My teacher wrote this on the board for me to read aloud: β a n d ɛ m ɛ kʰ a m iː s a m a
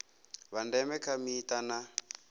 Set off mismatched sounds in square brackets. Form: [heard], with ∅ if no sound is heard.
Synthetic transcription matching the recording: β a n d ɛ m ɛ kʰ a m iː [t] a [n] a